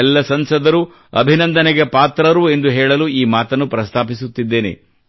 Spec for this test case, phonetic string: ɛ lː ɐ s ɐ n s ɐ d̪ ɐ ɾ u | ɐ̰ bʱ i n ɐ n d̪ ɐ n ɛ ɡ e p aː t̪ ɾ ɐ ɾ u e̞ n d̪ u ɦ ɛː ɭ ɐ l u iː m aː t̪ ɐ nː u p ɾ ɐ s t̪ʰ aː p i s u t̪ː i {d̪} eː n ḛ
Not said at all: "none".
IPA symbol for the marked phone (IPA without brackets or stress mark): d̪ː